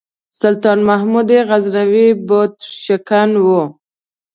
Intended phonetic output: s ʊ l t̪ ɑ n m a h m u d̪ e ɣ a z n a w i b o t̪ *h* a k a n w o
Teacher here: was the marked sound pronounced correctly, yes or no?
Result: no